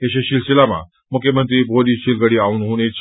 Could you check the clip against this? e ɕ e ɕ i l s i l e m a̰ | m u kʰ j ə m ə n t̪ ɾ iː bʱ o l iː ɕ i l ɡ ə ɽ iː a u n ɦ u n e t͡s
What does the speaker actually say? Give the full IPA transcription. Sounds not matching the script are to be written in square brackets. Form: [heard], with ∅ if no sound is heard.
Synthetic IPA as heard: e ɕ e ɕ i l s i l [a] m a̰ | m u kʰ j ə m ə n t̪ ɾ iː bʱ o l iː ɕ i l ɡ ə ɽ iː a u n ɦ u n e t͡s